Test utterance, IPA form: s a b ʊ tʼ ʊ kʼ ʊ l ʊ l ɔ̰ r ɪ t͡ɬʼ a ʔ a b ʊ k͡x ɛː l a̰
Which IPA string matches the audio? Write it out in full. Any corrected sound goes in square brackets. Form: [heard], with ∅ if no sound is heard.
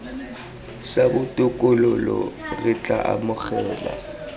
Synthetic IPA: s a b ʊ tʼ ʊ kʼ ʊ l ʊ l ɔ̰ r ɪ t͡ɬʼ a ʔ a [m] ʊ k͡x ɛː l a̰